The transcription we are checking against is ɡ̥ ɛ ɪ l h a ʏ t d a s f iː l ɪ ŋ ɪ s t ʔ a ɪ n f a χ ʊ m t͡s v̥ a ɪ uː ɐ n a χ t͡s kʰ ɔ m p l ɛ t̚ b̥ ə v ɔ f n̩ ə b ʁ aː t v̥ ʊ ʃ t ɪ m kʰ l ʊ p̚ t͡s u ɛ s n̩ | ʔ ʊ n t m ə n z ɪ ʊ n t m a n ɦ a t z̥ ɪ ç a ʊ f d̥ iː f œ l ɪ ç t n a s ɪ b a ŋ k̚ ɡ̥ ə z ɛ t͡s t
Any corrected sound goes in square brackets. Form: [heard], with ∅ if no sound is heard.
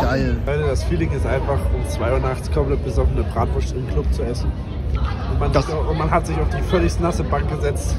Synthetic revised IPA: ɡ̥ [a] ɪ l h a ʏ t d a s f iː l ɪ ŋ ɪ s t ʔ a ɪ n f a χ ʊ m t͡s v̥ a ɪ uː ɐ n a χ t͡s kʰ ɔ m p l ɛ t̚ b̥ ə [z] ɔ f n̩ ə b ʁ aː t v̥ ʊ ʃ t ɪ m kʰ l ʊ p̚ t͡s u ɛ s n̩ | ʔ ʊ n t m [a] n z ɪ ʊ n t m a n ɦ a t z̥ ɪ ç a ʊ f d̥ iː f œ l ɪ ç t n a s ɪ b a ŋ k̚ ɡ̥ ə z ɛ t͡s t